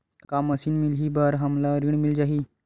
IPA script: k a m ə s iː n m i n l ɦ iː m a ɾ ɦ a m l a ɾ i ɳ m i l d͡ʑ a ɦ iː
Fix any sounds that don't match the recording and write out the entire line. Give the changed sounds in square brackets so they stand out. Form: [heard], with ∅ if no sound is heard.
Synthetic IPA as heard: k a m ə s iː n m i [∅] l ɦ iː [b] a ɾ ɦ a m l a ɾ i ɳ m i l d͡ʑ a ɦ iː